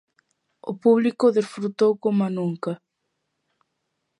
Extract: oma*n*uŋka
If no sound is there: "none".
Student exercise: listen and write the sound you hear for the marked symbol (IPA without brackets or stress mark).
n